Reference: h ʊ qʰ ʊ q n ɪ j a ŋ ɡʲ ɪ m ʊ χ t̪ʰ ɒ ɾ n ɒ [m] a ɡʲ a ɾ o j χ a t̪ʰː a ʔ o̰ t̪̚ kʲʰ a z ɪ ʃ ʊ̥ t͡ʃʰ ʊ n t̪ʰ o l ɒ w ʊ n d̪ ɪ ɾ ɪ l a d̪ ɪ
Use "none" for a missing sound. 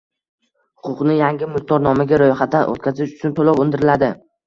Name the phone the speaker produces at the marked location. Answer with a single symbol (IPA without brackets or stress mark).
m